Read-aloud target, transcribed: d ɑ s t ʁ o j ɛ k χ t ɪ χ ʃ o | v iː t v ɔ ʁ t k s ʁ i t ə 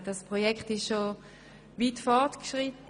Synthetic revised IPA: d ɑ s p ʁ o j ɛ k χ t ɪ ʃ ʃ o | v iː t f ɔ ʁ t k ʃ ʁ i t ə